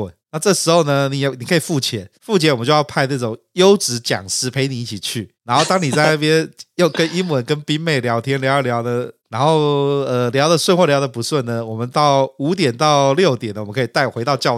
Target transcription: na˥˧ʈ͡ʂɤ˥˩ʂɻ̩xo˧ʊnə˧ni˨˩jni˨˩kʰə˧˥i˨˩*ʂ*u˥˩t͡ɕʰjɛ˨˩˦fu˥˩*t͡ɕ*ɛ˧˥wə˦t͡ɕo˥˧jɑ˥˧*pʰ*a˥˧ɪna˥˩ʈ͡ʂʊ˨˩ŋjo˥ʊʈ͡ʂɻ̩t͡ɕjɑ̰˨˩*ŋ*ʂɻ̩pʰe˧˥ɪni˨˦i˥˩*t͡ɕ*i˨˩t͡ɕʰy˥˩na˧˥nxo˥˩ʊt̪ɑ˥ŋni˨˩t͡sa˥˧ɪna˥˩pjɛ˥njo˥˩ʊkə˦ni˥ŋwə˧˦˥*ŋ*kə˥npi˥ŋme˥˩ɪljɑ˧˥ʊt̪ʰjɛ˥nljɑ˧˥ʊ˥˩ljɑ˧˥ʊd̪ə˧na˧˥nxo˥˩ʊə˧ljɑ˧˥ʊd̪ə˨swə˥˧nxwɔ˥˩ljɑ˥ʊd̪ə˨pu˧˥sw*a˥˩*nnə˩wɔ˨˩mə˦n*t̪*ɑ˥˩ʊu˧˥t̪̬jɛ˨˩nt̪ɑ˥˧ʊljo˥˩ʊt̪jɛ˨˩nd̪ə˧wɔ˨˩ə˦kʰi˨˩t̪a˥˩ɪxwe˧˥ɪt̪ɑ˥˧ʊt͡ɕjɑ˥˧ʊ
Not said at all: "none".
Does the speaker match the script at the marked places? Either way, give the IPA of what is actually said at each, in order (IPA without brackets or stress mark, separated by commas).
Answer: f, t͡ɕʰ, pʰ, ŋ, t͡ɕʰ, n, ə˥˩, t̪